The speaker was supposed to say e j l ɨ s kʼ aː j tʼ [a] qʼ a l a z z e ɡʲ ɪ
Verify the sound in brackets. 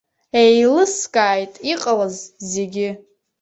incorrect: i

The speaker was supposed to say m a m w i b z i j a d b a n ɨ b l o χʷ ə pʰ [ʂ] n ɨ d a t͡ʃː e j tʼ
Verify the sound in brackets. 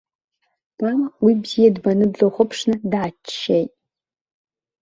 correct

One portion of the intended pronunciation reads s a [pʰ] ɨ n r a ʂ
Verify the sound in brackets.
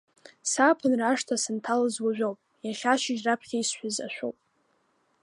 correct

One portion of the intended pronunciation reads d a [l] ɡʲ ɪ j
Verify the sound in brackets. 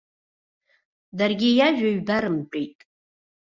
incorrect: r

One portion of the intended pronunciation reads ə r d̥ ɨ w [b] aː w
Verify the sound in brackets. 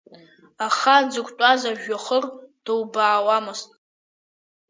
correct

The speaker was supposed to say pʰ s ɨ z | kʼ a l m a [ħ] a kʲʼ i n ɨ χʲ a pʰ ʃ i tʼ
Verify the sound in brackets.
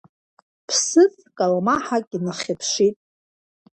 correct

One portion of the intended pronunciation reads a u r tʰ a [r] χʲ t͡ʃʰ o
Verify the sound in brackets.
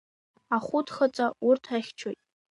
incorrect: none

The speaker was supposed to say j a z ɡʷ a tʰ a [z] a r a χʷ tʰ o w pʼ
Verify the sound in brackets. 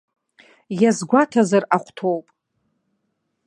correct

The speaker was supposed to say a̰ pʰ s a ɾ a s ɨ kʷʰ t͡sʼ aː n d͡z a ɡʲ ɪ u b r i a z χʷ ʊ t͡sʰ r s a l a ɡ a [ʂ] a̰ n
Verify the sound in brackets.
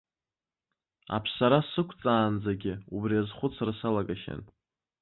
incorrect: ʃ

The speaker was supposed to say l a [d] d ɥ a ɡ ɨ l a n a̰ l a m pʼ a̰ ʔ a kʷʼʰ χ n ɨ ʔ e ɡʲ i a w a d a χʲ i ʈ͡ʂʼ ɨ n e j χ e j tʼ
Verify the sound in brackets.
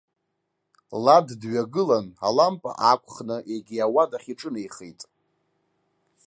correct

